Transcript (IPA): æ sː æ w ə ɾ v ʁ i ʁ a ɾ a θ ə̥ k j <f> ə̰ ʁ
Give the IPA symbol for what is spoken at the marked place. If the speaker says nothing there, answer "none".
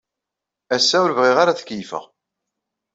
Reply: f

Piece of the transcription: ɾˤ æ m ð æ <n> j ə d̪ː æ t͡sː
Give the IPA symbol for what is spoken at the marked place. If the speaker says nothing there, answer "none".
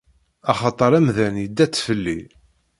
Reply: n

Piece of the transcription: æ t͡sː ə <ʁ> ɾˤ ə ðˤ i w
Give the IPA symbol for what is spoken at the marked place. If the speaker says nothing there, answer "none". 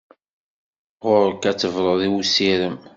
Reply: v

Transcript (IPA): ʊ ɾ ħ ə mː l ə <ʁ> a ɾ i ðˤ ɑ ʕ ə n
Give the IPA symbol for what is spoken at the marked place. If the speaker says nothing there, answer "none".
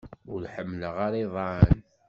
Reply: ʁ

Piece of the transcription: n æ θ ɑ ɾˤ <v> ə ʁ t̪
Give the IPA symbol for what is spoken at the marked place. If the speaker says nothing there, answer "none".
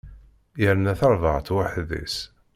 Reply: v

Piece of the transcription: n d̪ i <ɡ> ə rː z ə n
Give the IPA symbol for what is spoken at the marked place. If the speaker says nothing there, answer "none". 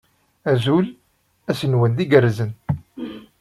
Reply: ɡ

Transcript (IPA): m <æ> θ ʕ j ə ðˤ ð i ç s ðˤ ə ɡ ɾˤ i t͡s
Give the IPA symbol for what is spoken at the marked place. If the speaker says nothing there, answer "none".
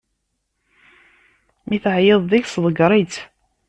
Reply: i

